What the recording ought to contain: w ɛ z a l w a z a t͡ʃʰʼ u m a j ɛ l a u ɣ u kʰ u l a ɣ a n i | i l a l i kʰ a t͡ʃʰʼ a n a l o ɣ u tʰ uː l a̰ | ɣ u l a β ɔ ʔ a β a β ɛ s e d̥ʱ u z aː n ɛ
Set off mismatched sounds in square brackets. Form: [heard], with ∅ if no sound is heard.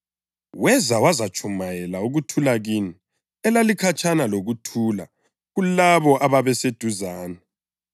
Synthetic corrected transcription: w ɛ z a [∅] w a z a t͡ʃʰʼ u m a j ɛ l a u ɣ u [tʰ] u l a ɣ [i] n i | [ɛ] l a l i kʰ a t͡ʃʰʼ a n a l o ɣ u tʰ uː l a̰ | ɣ u l a β ɔ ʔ a β a β ɛ s e d̥ʱ u z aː n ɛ